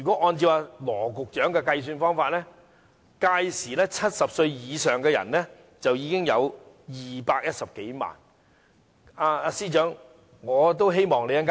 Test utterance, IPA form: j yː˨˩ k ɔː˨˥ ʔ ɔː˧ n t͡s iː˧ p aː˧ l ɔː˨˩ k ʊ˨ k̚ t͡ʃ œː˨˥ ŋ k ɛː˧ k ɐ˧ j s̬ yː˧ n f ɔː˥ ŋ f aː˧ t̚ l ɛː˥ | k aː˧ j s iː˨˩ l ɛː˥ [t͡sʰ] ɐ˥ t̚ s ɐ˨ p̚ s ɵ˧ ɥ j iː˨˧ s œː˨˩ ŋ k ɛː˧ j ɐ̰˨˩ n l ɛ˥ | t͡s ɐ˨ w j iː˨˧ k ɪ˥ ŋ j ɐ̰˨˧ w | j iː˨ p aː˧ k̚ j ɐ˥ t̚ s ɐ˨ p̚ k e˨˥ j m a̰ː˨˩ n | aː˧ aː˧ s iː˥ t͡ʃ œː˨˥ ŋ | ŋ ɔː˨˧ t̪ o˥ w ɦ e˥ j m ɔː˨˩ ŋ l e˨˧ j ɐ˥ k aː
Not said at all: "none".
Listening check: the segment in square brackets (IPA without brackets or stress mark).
t͡sʰ